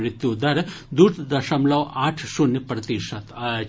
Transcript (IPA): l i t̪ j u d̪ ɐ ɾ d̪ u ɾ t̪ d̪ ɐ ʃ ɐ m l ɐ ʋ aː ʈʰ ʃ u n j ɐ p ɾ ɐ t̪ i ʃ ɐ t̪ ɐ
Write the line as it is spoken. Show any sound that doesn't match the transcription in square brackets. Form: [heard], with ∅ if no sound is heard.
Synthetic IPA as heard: [ɾ] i t̪ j u d̪ ɐ ɾ d̪ u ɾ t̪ d̪ ɐ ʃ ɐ m l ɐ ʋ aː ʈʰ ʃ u n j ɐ p ɾ ɐ t̪ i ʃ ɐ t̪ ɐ